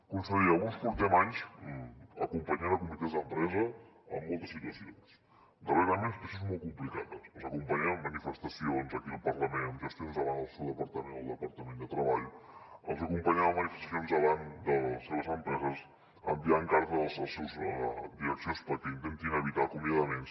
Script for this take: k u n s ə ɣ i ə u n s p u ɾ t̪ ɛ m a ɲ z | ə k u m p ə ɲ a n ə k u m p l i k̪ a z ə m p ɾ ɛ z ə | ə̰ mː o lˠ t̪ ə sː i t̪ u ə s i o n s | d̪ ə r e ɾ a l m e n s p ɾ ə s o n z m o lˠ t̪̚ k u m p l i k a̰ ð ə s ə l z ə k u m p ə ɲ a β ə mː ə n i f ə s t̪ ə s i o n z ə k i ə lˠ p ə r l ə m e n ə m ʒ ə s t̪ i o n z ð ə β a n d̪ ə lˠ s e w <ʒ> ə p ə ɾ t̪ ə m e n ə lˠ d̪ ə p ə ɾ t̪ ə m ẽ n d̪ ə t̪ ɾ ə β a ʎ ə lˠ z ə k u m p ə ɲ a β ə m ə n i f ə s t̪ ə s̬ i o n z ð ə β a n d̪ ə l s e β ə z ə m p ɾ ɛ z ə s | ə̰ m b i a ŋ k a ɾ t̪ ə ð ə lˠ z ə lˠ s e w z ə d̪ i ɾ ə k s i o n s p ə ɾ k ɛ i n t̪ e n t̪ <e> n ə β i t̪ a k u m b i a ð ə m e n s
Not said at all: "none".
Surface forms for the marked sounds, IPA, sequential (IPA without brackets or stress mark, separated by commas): ð, i